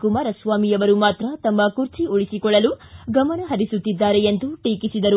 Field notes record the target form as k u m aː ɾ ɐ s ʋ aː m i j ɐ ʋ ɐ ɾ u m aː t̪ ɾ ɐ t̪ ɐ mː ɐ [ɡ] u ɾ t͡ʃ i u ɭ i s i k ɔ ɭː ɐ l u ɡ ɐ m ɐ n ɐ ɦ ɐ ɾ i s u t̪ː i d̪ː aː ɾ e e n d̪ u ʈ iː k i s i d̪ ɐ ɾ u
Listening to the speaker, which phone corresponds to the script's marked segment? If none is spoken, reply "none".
k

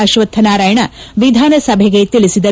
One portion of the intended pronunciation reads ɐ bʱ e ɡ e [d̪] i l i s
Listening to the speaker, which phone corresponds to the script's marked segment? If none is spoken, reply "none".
t̪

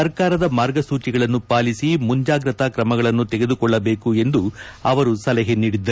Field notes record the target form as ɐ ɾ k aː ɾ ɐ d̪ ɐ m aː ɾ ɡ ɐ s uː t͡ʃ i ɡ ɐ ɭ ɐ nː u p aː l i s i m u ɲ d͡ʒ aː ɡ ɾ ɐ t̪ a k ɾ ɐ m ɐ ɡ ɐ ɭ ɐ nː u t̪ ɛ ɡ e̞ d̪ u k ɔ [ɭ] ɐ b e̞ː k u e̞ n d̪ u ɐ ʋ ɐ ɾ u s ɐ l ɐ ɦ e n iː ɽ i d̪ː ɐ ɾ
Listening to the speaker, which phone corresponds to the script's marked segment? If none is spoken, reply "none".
ɭː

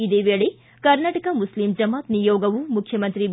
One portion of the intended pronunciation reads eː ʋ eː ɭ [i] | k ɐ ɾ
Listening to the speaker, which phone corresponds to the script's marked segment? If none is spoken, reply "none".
e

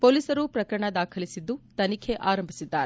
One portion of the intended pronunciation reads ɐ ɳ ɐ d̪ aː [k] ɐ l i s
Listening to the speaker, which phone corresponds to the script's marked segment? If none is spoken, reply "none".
kʰ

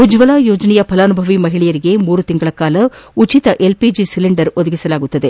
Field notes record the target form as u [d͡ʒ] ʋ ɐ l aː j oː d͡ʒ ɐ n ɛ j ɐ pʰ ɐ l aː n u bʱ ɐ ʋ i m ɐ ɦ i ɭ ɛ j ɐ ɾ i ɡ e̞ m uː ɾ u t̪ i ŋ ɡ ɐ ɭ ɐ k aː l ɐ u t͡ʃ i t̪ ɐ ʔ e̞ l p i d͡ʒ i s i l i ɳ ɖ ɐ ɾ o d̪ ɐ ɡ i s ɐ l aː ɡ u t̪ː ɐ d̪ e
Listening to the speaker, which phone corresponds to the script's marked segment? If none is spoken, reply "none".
d͡ʒ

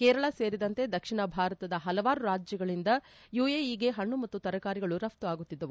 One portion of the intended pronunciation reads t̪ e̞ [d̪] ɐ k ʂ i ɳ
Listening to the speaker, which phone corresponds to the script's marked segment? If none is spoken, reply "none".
d̪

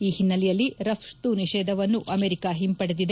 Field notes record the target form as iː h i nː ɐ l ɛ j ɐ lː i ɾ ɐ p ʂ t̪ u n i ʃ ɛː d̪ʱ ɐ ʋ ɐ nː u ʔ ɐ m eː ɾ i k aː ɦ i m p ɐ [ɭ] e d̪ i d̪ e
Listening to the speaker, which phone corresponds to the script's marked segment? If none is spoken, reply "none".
ɽ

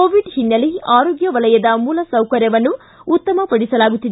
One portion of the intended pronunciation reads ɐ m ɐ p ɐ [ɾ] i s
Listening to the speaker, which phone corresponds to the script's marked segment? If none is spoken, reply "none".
ɽ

